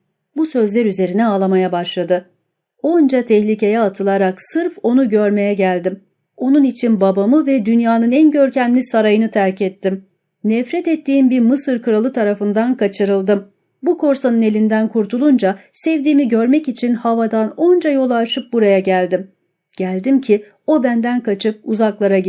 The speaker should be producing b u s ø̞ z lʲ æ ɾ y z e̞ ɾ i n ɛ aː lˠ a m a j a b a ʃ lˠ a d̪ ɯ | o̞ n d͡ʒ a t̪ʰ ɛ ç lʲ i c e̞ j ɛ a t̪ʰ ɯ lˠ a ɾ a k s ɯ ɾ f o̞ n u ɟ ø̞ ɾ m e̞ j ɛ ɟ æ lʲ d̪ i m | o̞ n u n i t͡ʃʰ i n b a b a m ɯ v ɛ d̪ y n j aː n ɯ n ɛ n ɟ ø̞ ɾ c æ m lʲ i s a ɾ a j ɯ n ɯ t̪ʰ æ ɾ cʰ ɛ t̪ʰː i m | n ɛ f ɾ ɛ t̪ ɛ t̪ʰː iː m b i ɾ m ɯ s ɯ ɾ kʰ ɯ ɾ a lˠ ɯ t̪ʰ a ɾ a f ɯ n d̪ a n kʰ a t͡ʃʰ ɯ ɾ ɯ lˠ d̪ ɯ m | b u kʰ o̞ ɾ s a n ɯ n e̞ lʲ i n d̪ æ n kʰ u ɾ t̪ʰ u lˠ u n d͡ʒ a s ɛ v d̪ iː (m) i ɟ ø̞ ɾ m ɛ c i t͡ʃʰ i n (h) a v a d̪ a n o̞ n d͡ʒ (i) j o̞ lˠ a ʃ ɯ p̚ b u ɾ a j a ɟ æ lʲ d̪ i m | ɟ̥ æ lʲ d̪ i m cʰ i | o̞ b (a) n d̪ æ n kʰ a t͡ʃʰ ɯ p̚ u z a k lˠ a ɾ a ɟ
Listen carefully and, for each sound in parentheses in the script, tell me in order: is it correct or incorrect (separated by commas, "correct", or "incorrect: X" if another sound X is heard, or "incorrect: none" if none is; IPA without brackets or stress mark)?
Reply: correct, correct, incorrect: a, incorrect: æ